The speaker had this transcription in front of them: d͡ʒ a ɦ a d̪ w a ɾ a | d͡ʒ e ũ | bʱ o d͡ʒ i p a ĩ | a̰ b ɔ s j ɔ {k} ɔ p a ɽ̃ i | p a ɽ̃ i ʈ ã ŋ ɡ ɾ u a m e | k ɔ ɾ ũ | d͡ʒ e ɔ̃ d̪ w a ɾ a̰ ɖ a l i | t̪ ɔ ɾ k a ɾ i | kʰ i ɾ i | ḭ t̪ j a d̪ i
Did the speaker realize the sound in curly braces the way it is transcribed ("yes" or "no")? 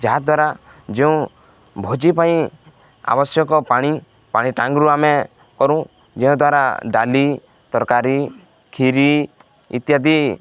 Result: yes